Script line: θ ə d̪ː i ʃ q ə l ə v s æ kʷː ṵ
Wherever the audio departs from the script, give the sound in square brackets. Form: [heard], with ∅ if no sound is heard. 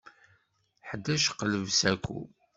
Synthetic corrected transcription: [ħ] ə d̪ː [æ] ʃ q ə l ə v s æ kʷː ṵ